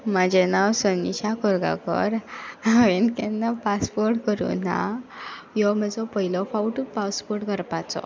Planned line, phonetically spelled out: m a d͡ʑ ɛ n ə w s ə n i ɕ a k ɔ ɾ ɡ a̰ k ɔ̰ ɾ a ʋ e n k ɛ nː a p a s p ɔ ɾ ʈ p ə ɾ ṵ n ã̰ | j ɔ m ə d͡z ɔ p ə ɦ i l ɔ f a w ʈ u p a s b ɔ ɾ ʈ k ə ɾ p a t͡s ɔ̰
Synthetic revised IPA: m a d͡ʑ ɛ n a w s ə n i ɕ a k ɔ ɾ ɡ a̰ k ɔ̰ ɾ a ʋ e n k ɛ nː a p a s p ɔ ɾ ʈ k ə ɾ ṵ n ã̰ | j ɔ m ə d͡z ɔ p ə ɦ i l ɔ f a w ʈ u p a s p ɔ ɾ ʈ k ə ɾ p a t͡s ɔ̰

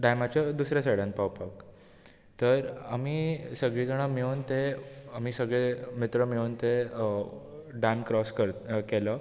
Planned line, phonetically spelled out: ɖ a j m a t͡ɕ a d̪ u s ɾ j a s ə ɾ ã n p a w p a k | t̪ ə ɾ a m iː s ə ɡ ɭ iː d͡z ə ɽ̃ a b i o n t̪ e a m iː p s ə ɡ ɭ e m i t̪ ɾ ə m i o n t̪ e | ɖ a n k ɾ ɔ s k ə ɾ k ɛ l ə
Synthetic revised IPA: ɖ a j m a t͡ɕ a d̪ u s ɾ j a s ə ɽ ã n p a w p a k | t̪ ə ɾ a m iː s ə ɡ ɭ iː d͡z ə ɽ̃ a m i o n t̪ e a m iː s ə ɡ ɭ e m i t̪ ɾ ə m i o n t̪ e | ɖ a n k ɾ ɔ s k ə ɾ k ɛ l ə

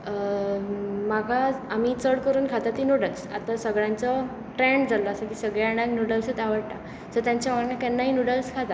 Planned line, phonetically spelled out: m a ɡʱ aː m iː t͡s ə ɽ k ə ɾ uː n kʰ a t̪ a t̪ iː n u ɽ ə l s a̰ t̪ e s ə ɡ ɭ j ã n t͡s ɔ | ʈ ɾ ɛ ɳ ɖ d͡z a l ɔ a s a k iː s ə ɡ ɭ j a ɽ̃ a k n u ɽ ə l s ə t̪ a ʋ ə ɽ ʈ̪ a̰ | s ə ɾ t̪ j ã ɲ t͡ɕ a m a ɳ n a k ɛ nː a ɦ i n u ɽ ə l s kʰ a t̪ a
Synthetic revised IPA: m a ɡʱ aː m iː t͡s ə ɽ k ə ɾ uː n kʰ a t̪ a t̪ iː n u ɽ ə l s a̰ t̪ a s ə ɡ ɭ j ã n t͡s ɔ | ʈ ɾ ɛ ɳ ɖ d͡z a l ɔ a s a k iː s ə ɡ ɭ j a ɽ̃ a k n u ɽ ə l s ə t̪ a ʋ ə ɽ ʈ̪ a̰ | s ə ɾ t̪ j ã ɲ t͡ɕ a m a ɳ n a k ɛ nː a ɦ i n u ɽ ə l s kʰ a t̪ a

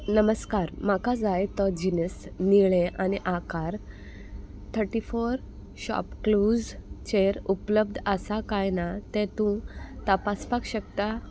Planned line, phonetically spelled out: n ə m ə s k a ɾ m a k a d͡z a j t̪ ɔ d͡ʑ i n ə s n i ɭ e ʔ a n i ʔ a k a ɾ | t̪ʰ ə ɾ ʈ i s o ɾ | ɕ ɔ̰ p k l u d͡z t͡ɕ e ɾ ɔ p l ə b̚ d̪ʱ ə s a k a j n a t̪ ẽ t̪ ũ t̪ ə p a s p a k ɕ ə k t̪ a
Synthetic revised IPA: n ə m ə s k a ɾ m a k a d͡z a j t̪ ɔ d͡ʑ i n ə s n i ɭ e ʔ a n i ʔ a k a ɾ | t̪ʰ ə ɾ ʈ i f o ɾ | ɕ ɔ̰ p k l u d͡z t͡ɕ e ɾ u p l ə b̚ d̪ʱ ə s a k a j n a t̪ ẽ t̪ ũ t̪ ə p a s p a k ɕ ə k t̪ a

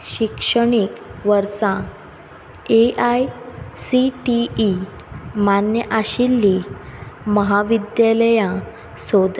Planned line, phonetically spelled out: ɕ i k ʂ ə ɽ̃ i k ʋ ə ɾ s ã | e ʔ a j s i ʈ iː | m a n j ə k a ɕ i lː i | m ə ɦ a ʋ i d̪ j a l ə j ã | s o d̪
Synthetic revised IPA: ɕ i k ʂ ə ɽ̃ i k ʋ ə ɾ s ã | e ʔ a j s i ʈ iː | m a n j ə ʔ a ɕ i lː i | m ə ɦ a ʋ i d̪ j a l ə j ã | s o d̪

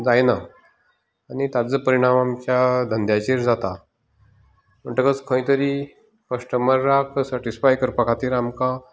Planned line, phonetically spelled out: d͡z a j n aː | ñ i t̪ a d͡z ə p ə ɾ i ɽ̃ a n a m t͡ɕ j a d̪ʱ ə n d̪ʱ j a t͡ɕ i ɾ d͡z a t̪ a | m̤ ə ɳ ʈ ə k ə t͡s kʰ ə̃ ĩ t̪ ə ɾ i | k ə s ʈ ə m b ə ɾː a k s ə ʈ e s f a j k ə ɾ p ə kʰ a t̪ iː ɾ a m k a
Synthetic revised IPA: d͡z a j n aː | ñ i t̪ a d͡z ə p ə ɾ i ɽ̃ a m a m t͡ɕ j a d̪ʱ ə n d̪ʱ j a t͡ɕ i ɾ d͡z a t̪ a | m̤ ə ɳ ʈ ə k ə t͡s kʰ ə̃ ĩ t̪ ə ɾ i | k ə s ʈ ə m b ə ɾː a k s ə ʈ i s f a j k ə ɾ p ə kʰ a t̪ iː ɾ a m k a

